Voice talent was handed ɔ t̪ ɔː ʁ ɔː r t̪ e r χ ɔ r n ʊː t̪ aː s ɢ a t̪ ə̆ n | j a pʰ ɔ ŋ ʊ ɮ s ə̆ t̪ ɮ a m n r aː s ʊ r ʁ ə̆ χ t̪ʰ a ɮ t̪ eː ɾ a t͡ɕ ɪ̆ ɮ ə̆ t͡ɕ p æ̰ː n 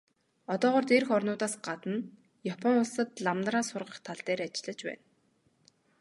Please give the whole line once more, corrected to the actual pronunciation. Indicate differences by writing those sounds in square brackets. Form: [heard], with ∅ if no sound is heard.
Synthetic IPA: ɔ t̪ ɔː ʁ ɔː r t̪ e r [x] ɔ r n ʊː t̪ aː s ɢ a t̪ ə̆ n | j a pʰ ɔ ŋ ʊ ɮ s ə̆ t̪ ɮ a m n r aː s ʊ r ʁ ə̆ χ t̪ʰ a ɮ t̪ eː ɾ a t͡ɕ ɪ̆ ɮ ə̆ t͡ɕ p æ̰ː n